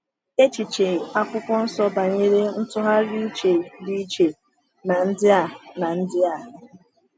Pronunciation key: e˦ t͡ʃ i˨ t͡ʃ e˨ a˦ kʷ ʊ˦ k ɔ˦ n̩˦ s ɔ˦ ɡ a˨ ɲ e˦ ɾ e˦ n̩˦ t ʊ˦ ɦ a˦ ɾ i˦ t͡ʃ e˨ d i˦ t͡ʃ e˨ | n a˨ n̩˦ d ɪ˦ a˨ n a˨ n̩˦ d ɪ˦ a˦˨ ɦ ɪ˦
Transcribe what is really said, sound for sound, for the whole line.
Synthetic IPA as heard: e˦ t͡ʃ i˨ t͡ʃ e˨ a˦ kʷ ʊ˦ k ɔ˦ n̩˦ s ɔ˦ b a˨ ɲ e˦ ɾ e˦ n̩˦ t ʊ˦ ɦ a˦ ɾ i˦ t͡ʃ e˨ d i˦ t͡ʃ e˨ | n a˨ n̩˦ d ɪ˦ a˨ n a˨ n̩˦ d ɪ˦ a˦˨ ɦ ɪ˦